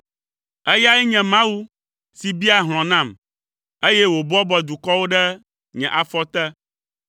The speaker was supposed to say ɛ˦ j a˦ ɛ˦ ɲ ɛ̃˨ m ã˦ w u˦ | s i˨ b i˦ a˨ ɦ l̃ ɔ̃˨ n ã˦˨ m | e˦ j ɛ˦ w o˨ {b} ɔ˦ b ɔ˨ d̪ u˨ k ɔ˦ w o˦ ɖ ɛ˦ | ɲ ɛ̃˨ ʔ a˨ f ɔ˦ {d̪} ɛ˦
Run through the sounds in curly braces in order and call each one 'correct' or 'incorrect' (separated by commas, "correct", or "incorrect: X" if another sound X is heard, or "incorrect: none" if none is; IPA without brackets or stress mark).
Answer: correct, incorrect: t̪